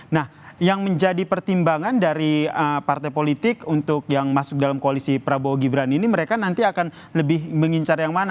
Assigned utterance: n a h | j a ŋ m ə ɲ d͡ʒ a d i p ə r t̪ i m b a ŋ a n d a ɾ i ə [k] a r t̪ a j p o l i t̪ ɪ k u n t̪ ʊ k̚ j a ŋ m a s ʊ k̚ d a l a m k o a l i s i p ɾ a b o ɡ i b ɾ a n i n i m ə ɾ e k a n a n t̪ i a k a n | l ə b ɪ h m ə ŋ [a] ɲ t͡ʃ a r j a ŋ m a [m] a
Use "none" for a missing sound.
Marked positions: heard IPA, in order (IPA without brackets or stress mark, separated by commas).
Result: p, i, n